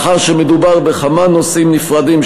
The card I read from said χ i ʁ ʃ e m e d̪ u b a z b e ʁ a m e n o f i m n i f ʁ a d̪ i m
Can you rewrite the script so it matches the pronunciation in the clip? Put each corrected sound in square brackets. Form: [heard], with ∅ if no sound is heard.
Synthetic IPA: χ [a] ʁ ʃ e m e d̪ u b a [ʁ] b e [χ] a m [a] n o [s] i m n i f ʁ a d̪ i m